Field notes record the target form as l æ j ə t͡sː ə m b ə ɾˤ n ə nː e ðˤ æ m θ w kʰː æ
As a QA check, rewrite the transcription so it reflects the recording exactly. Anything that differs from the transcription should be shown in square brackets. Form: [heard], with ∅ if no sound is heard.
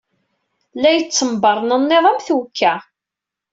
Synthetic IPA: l æ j ə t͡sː ə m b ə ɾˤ n ə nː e ðˤ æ m θ w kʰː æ